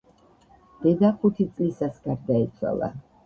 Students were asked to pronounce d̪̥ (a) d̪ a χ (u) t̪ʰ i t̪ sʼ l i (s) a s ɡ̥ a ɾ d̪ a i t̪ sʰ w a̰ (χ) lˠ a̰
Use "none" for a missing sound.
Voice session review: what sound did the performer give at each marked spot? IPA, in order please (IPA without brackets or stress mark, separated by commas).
ɛ, u, s, none